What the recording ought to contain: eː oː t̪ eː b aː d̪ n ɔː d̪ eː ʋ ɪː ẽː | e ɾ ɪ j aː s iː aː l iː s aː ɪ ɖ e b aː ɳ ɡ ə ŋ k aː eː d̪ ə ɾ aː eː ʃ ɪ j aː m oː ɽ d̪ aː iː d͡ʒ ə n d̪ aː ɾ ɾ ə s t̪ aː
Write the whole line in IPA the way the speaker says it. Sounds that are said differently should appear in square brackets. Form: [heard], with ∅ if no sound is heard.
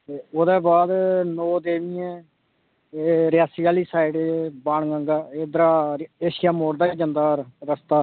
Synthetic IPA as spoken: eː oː [d̪] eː b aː d̪ n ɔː d̪ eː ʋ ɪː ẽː | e ɾ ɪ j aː s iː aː l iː s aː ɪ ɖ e b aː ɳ ɡ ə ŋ [ɡ] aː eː d̪ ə ɾ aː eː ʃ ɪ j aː m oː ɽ d̪ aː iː d͡ʒ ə n d̪ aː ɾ ɾ ə s t̪ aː